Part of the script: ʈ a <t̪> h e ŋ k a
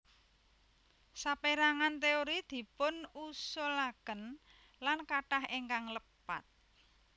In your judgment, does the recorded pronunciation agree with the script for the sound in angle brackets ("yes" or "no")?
no